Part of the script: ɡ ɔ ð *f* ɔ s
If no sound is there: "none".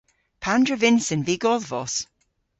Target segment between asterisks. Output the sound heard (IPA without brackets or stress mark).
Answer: v